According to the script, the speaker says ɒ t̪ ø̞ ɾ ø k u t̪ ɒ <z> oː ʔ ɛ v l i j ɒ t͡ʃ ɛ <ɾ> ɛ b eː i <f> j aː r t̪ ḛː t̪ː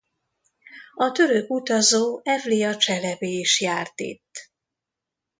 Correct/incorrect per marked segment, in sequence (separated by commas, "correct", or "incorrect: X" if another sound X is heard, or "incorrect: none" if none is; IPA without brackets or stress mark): correct, incorrect: l, incorrect: ʃ